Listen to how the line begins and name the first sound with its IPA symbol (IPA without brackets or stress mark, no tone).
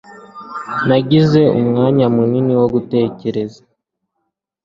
n